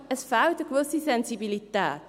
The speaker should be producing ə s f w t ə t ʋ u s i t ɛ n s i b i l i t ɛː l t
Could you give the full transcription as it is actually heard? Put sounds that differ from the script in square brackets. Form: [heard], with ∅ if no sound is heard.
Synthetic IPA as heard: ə s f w t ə [k] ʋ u s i [s] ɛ n s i b i l i t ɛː [∅] t